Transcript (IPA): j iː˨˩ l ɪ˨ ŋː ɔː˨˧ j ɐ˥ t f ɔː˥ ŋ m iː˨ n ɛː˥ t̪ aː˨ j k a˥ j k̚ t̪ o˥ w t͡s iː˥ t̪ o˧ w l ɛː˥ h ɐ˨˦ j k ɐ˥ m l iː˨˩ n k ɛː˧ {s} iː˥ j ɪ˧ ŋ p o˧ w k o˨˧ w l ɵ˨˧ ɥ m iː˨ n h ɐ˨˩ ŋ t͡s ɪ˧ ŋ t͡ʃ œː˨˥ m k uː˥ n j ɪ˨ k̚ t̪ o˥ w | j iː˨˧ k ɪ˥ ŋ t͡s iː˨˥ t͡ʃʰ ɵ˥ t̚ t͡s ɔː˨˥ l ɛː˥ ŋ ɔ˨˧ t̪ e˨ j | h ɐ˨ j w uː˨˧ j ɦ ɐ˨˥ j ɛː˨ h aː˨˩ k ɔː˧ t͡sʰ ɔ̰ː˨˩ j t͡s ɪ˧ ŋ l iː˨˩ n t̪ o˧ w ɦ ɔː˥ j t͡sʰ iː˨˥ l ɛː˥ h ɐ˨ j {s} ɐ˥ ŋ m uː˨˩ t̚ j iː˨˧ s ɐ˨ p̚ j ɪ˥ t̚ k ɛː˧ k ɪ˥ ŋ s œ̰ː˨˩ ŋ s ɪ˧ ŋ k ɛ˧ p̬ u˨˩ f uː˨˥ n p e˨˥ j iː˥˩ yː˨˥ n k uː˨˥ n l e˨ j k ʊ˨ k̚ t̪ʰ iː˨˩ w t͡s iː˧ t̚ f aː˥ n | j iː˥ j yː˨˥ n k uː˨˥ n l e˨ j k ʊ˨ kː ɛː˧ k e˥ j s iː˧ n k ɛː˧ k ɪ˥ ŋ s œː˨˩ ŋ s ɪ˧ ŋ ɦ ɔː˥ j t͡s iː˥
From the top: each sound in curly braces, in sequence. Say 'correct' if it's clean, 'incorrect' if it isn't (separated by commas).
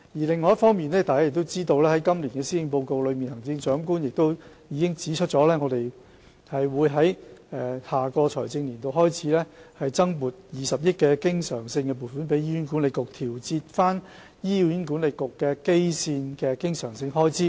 correct, incorrect